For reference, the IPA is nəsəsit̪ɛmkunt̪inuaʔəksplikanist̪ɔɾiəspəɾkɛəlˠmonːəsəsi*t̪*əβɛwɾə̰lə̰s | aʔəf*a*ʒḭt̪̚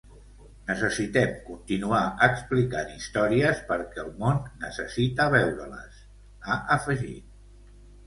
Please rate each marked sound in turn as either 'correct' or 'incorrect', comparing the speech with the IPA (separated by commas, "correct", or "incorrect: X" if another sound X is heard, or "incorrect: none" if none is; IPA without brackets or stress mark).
correct, incorrect: ə